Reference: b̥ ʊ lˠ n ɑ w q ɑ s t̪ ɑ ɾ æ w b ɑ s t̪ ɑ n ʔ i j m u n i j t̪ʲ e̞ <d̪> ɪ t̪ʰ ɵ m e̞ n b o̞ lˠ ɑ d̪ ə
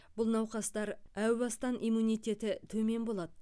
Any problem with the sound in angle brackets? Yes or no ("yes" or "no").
yes